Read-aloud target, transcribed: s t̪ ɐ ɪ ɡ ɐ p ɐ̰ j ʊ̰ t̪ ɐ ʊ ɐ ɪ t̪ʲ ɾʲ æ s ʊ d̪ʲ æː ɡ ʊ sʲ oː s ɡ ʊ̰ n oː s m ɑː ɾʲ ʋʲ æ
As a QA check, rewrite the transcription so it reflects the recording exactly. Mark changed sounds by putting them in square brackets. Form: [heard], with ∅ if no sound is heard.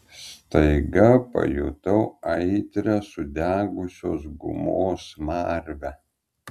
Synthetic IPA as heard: s t̪ ɐ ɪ ɡ ɐ p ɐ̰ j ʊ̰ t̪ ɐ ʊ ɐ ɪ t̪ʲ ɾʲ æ s ʊ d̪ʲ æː ɡ ʊ sʲ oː s ɡ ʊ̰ [m] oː s m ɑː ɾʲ ʋʲ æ